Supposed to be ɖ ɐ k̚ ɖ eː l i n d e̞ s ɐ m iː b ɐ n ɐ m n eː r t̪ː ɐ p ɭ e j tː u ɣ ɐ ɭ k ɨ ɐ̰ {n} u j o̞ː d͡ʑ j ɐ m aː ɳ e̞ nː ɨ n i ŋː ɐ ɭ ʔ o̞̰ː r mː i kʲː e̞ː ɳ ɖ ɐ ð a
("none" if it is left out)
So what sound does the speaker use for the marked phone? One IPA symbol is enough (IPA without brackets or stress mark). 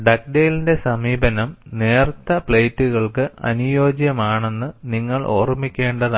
n